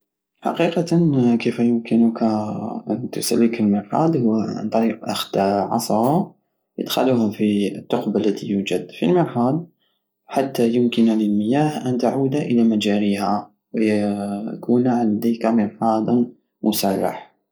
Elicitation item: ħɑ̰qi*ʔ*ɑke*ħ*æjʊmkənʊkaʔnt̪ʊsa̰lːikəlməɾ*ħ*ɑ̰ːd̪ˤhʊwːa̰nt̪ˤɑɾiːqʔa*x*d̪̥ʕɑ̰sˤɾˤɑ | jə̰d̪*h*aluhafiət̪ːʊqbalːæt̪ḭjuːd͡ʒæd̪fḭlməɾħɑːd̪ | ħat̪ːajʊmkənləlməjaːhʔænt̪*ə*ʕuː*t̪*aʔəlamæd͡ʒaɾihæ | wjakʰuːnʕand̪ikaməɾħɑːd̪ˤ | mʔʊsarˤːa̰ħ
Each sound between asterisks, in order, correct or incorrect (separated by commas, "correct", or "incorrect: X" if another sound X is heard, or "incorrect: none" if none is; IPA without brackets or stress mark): incorrect: q, incorrect: f, correct, correct, incorrect: x, incorrect: a, incorrect: d̪